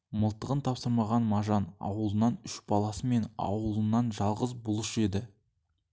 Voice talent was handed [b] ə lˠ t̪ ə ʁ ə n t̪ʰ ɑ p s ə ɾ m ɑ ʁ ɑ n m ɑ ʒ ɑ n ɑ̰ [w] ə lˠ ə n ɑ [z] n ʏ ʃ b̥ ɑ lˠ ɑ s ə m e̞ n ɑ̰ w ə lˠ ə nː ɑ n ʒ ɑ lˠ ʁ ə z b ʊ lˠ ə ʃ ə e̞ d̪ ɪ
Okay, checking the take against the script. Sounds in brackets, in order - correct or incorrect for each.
incorrect: m, correct, incorrect: none

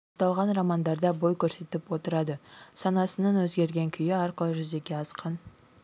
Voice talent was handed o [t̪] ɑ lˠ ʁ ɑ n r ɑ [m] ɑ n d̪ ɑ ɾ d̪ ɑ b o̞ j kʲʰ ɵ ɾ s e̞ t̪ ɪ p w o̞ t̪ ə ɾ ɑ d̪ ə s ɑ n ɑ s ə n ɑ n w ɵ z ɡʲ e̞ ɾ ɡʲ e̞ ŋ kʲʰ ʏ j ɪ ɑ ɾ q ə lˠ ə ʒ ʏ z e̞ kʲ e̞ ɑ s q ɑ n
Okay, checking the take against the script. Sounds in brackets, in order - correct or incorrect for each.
correct, correct

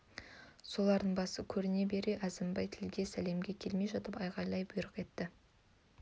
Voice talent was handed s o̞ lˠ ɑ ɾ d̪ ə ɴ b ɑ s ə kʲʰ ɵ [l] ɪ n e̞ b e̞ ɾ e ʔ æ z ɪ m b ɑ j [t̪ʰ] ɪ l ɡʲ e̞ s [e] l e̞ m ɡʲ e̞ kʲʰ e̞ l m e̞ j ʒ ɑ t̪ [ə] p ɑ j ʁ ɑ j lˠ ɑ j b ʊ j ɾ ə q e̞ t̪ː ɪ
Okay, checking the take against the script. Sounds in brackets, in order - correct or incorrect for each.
incorrect: ɾ, correct, incorrect: æ, correct

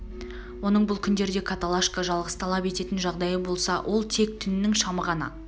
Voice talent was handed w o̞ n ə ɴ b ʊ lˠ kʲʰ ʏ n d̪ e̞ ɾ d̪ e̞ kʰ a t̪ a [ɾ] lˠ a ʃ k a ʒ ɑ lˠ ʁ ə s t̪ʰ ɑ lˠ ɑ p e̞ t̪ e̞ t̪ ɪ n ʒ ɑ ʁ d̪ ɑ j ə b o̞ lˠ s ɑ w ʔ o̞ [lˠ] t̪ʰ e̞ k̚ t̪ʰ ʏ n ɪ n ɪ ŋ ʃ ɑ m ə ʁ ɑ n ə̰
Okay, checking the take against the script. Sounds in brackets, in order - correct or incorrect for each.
incorrect: none, correct

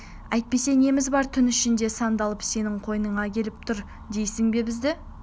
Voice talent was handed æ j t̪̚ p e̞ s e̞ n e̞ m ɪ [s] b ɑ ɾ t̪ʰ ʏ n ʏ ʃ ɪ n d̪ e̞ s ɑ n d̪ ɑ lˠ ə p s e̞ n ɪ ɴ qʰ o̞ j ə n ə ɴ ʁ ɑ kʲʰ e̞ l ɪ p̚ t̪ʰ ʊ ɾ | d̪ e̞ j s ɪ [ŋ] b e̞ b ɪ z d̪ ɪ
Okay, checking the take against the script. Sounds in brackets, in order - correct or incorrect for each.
incorrect: z, correct

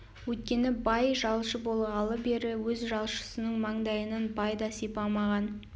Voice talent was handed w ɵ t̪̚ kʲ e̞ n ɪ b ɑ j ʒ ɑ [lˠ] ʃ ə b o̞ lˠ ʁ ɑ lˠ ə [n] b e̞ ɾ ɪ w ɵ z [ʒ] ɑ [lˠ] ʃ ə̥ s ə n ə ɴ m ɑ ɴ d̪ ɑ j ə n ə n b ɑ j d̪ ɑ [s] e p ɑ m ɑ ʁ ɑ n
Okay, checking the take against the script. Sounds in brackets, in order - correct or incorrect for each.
correct, incorrect: none, correct, correct, correct

